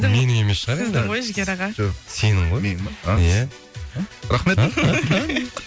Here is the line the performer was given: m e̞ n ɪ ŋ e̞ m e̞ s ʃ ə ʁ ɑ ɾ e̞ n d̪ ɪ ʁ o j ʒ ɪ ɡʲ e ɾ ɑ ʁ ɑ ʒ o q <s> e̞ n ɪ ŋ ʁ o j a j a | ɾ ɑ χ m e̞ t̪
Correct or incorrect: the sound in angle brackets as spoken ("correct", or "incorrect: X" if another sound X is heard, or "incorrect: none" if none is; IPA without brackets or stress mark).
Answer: correct